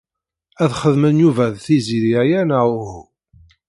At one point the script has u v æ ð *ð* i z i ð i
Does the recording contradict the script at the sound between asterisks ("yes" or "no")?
yes